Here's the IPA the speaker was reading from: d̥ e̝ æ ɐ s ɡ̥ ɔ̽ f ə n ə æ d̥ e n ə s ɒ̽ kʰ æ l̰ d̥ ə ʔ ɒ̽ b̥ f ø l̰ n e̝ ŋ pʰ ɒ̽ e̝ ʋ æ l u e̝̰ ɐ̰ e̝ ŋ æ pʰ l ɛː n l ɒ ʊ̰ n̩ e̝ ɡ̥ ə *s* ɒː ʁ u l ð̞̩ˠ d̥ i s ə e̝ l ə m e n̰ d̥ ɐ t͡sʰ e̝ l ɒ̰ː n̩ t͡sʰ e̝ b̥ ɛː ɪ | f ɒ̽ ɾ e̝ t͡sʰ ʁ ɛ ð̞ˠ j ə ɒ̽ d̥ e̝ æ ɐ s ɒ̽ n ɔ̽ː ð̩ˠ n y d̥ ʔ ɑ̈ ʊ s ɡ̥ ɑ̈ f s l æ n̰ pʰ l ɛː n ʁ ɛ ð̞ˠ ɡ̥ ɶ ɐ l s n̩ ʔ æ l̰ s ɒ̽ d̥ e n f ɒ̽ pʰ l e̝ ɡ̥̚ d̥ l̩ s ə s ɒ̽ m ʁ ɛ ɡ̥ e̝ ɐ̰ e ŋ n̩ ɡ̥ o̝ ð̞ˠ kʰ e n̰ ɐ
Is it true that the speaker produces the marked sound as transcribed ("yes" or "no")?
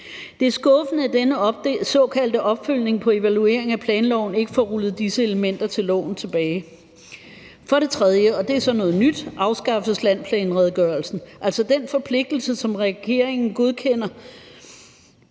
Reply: no